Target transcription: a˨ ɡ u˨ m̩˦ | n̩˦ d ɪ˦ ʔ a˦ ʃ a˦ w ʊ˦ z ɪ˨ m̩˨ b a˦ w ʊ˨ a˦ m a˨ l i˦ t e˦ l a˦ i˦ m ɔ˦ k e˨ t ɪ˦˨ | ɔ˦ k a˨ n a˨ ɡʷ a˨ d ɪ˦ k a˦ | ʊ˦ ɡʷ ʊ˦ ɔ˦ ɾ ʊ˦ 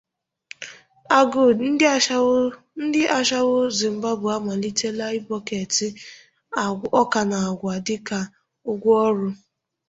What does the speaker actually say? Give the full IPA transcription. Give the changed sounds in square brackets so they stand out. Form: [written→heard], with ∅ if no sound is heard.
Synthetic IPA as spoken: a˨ ɡ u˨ [m̩˦→n̩˦] | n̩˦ d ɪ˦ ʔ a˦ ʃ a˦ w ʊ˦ z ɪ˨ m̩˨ b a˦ [w→b] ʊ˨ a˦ m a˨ l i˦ t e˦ l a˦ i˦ [m→b] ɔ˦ k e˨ t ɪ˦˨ | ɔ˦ k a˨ n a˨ ɡʷ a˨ d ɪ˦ k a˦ | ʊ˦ ɡʷ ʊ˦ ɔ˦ ɾ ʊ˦